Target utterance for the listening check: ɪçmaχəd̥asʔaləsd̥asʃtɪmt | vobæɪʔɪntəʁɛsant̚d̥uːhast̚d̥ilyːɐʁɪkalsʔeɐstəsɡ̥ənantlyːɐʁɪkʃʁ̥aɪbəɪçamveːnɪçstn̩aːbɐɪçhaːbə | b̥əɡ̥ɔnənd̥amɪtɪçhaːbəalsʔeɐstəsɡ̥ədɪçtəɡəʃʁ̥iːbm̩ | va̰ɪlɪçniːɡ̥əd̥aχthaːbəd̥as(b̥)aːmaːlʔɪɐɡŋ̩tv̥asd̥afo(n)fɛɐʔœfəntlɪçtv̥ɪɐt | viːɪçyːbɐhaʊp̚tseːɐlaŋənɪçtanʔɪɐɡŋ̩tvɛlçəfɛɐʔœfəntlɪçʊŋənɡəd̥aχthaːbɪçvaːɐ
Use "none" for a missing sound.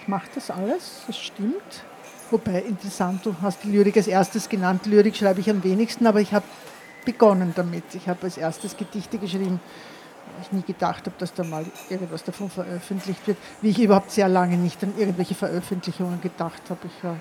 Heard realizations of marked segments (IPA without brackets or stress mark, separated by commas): d̥, n